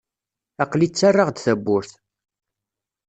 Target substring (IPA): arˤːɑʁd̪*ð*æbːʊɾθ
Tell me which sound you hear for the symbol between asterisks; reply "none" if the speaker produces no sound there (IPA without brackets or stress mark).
θ